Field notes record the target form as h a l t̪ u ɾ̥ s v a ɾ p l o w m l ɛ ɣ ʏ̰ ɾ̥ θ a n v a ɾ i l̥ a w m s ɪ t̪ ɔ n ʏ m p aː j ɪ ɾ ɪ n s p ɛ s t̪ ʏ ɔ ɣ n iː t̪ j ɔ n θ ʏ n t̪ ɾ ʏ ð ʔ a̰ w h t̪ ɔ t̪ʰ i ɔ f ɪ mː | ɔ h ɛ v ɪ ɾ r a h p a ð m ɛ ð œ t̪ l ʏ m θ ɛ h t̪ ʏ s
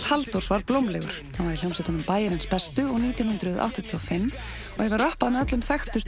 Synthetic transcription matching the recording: h a l t̪ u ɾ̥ s v a ɾ p l o w m l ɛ ɣ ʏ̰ ɾ̥ θ a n v a ɾ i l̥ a w m s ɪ t̪ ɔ n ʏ m p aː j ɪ ɾ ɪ n s p ɛ s t̪ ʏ ɔ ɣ n iː t̪ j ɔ n h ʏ n t̪ ɾ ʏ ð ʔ a̰ w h t̪ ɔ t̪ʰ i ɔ f ɪ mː | ɔ h ɛ v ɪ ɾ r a h p a ð m ɛ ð œ t̪ l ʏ m θ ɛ x t̪ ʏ s